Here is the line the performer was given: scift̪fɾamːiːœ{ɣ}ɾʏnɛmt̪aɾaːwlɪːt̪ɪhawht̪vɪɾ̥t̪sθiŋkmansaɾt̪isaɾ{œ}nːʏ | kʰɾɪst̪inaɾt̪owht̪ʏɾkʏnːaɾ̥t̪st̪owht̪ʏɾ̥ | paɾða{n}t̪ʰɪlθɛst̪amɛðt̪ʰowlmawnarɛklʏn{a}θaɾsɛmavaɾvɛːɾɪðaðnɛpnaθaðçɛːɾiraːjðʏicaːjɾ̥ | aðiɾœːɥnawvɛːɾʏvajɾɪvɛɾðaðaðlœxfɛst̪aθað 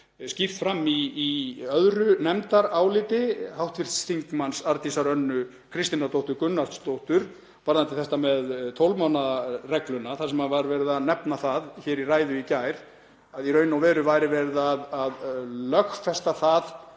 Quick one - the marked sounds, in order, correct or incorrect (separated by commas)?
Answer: incorrect, correct, correct, correct